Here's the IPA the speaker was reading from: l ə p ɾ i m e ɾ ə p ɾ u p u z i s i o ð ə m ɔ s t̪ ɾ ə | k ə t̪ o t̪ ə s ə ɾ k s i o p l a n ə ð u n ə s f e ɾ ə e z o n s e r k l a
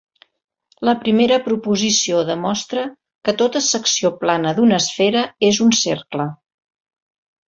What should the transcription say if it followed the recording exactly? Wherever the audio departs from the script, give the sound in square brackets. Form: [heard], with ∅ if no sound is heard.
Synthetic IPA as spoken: l ə p ɾ i m e ɾ ə p ɾ u p u z i s i o ð ə m ɔ s t̪ ɾ ə | k ə t̪ o t̪ ə s ə [∅] k s i o p l a n ə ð u n ə s f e ɾ ə e z [u] n s e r k l [ə]